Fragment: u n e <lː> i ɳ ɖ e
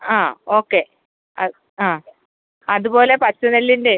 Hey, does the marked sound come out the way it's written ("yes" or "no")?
yes